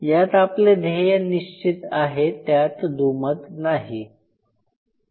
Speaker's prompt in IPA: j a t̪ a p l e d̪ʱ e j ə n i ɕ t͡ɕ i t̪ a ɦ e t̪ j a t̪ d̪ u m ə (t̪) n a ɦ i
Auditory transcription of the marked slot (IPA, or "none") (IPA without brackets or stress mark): t̪